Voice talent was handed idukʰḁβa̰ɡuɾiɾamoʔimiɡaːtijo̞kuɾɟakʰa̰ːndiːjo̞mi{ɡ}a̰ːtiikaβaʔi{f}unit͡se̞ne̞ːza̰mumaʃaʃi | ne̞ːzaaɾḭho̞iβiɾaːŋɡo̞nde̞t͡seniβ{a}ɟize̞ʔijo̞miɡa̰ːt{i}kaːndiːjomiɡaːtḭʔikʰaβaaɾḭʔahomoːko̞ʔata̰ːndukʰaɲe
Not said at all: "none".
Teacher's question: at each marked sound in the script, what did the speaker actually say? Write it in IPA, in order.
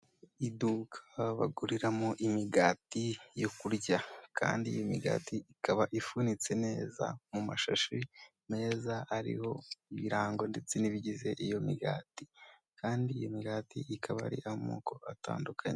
ɡ, f, i, i

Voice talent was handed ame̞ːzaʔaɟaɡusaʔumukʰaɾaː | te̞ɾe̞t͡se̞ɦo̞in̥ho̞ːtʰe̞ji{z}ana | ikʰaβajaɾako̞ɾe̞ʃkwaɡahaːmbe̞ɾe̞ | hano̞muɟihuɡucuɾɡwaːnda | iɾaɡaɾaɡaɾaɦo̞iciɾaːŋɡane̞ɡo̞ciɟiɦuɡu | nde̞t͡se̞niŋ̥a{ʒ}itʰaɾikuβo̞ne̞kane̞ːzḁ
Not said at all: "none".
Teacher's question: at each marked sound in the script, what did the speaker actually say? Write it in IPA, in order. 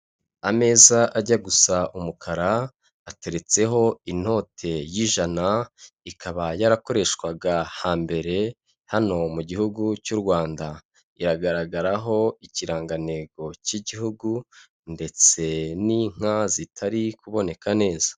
ʒ, z

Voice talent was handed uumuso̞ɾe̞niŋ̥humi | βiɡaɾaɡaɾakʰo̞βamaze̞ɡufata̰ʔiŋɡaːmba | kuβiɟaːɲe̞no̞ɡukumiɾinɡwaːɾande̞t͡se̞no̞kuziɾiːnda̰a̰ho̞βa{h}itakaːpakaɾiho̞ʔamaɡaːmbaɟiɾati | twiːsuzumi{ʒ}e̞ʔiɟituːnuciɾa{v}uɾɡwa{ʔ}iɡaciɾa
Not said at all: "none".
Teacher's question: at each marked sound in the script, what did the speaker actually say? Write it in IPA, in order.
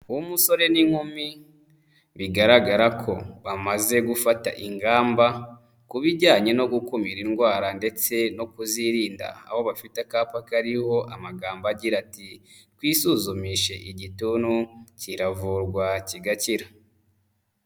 f, ʃ, v, c

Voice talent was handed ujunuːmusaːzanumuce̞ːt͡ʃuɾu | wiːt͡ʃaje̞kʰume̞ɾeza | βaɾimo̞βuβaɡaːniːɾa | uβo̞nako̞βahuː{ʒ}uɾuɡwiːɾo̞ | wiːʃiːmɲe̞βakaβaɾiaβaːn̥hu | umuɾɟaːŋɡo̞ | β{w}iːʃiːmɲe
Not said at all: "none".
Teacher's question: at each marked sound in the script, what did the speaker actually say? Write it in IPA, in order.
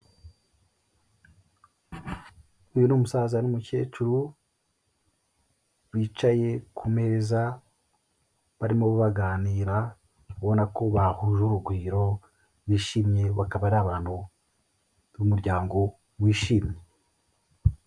ʒ, w

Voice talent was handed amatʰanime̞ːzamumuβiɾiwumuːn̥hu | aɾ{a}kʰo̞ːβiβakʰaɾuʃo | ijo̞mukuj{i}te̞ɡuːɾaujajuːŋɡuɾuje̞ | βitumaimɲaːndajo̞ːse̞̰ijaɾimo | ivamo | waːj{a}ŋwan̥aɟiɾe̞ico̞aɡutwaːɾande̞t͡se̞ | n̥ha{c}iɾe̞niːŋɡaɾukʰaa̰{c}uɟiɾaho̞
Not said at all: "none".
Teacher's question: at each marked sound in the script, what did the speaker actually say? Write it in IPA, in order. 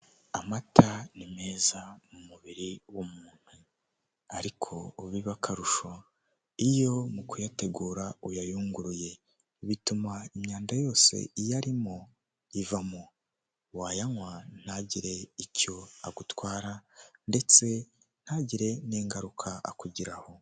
i, a, a, ɟ, k

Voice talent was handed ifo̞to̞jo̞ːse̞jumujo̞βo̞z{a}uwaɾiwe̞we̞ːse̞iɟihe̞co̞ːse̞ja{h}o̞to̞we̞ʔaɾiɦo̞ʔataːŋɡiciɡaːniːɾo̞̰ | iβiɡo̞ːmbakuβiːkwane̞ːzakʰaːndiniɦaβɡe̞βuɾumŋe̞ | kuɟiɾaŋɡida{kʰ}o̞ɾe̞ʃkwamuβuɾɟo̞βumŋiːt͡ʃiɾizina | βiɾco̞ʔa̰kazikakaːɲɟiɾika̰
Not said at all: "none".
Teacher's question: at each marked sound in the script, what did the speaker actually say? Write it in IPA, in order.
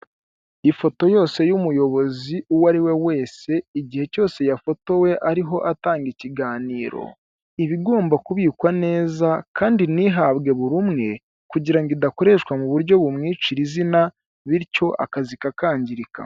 i, f, k

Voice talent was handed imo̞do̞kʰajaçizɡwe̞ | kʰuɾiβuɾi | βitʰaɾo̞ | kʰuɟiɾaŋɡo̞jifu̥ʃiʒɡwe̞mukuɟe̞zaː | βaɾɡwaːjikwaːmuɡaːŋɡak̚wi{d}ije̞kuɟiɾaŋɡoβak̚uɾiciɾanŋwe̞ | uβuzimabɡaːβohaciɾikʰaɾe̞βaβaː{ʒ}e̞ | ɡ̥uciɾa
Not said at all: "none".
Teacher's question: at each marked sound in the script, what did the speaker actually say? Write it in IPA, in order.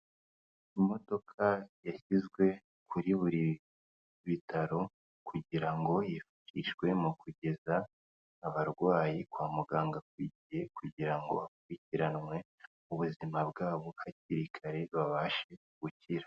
ɟ, ʃ

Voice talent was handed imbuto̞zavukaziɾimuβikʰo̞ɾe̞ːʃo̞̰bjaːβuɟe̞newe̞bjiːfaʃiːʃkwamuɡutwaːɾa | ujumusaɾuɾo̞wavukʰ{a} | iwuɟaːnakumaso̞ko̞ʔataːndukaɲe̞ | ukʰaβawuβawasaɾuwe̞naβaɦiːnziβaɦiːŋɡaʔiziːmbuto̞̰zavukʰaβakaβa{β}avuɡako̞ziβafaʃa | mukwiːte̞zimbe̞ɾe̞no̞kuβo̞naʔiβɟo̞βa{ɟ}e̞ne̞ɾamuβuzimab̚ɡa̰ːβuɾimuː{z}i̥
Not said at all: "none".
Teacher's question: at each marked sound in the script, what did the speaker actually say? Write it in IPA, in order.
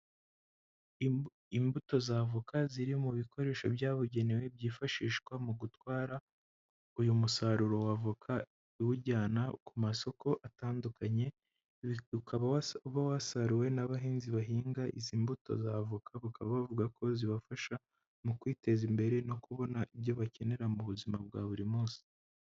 a, β, c, s

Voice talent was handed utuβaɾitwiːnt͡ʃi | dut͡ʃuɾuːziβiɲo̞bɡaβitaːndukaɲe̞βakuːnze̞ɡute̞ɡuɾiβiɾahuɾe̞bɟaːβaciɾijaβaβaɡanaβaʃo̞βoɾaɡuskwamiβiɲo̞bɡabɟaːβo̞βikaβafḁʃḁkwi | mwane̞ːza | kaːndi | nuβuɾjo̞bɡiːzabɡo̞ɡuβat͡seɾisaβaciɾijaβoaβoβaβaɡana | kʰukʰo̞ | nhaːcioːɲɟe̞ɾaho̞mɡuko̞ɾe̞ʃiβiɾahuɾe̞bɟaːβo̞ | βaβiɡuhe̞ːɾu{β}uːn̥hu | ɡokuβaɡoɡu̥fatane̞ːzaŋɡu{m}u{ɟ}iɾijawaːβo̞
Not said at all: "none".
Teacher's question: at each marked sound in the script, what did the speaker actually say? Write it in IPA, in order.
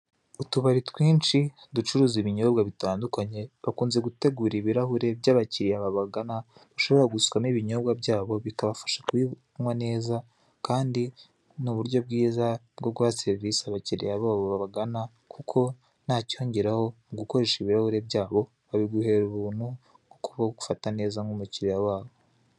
β, m, c

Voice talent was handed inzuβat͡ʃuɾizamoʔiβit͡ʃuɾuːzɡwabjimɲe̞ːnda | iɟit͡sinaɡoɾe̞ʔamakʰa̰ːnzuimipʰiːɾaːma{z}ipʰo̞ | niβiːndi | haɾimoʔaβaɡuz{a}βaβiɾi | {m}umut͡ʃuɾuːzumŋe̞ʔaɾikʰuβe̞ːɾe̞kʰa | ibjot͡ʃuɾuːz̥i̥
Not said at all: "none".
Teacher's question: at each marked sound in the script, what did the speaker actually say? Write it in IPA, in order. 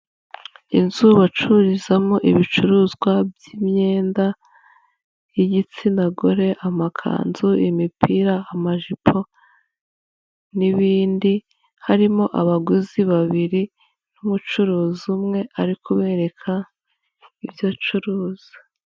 ʒ, i, n

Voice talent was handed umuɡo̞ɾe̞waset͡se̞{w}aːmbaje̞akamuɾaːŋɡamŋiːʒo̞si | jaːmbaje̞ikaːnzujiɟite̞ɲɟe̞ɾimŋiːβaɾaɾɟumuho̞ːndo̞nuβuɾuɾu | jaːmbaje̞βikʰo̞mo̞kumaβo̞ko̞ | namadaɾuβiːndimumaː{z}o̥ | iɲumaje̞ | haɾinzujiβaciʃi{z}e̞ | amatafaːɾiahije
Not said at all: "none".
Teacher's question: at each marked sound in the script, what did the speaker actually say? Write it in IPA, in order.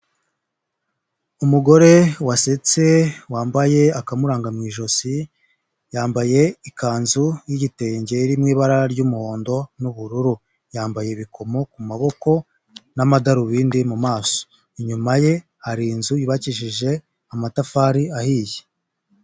w, s, ʒ

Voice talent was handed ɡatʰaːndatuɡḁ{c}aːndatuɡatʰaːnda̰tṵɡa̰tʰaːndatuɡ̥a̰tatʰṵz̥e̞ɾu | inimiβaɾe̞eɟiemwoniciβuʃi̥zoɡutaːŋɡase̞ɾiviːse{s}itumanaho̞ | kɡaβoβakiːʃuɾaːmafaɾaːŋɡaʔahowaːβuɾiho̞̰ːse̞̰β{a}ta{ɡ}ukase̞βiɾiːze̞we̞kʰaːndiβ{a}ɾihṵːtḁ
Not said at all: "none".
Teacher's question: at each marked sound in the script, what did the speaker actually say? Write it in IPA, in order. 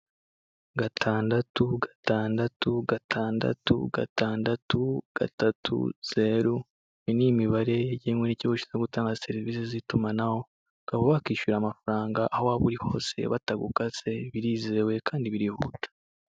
t, z, a, ɡ, i

